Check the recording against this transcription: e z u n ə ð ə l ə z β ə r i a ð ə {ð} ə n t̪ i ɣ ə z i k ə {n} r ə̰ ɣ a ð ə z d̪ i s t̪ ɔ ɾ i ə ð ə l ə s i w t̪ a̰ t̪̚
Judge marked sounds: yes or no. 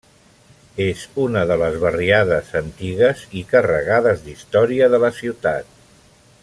no, no

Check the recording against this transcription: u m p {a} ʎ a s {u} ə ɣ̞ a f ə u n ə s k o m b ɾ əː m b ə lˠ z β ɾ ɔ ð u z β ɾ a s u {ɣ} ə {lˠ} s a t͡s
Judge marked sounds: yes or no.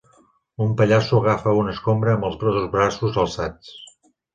no, yes, no, yes

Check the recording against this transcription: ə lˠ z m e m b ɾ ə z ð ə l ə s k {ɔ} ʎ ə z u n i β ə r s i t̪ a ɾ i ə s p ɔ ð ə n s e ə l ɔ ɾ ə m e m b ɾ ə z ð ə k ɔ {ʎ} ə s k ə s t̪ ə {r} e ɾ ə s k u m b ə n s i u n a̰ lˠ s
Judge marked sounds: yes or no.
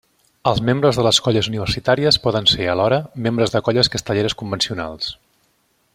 yes, yes, no

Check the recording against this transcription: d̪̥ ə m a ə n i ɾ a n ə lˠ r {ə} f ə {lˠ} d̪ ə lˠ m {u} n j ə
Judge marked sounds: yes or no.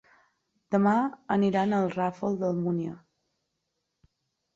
no, yes, yes

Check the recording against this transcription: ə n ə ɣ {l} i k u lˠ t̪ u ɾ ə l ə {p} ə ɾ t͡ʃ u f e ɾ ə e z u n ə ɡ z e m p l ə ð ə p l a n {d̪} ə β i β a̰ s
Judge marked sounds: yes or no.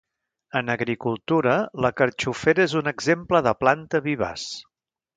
no, no, no

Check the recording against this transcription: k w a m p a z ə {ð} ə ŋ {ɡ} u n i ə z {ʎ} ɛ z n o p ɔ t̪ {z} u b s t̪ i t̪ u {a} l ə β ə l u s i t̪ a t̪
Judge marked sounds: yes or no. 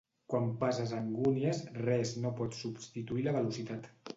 no, yes, no, no, no

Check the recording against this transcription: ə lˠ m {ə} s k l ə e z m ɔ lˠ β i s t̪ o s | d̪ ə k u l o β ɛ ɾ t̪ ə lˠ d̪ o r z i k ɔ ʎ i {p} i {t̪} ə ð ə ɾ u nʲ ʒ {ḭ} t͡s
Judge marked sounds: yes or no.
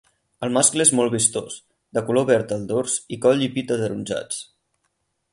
no, yes, yes, no

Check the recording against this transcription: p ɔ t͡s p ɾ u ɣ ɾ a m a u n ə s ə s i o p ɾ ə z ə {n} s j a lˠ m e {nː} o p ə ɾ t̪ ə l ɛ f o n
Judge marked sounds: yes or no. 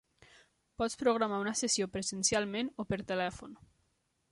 yes, no

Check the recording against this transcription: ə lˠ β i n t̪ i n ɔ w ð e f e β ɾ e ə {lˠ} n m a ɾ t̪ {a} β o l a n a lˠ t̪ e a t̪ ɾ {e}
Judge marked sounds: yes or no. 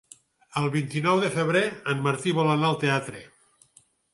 no, no, yes

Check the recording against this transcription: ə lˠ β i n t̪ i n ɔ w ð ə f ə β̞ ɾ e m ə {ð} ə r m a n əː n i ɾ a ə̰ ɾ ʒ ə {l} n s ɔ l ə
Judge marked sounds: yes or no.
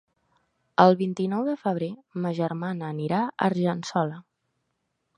no, no

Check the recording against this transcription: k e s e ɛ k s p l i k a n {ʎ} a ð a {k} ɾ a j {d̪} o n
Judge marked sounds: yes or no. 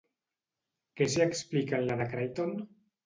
no, yes, no

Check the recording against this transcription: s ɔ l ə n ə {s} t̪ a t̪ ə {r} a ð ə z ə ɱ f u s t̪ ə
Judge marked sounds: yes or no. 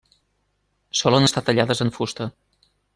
yes, no

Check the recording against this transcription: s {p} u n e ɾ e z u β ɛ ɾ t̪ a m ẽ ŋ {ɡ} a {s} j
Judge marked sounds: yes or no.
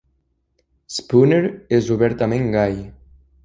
yes, yes, no

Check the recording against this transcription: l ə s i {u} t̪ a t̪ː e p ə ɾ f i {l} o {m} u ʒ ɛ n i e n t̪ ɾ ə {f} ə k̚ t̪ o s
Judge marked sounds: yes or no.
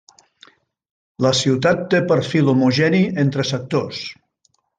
no, yes, yes, no

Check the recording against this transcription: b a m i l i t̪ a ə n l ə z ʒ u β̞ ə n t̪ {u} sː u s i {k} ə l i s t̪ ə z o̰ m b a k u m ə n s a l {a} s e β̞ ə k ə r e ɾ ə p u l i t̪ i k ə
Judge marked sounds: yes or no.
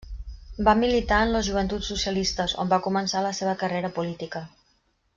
yes, no, no

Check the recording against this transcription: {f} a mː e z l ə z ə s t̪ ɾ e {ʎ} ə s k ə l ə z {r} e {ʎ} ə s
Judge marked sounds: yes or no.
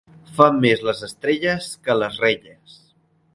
yes, yes, yes, yes

